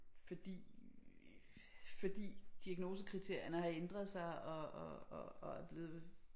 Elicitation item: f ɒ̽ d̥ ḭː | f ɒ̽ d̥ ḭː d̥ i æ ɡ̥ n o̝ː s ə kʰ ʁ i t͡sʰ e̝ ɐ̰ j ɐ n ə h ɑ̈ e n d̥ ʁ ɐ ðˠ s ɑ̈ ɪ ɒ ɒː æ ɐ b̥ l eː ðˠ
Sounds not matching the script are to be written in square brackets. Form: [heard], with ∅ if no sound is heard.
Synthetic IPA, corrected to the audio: f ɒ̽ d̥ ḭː | f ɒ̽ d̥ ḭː d̥ i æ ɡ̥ n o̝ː s ə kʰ ʁ i t͡sʰ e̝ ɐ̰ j ɐ n ə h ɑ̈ e n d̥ ʁ ɐ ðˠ s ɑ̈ ɪ ɒ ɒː æ ɐ b̥ l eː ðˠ